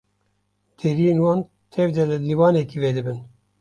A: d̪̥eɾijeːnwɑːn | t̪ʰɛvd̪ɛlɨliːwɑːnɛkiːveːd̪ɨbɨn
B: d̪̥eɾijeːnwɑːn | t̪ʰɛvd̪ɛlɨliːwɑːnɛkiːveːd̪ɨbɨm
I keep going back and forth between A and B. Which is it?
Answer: A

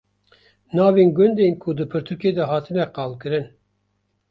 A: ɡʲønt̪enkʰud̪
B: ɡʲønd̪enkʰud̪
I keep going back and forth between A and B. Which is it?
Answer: B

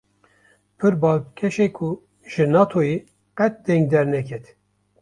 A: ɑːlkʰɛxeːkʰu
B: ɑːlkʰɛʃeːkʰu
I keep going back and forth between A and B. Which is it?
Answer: B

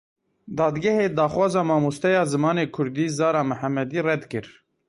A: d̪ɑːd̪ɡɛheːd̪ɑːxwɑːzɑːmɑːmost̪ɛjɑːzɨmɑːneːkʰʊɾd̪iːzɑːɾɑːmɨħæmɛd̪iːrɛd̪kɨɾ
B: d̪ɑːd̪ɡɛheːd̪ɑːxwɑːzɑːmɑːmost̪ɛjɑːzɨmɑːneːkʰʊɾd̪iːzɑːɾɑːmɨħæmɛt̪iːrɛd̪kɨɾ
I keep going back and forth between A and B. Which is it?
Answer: A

